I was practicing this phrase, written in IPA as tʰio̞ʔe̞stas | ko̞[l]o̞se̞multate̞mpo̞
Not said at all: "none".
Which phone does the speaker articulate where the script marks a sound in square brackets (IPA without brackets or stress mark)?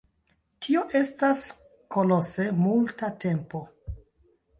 l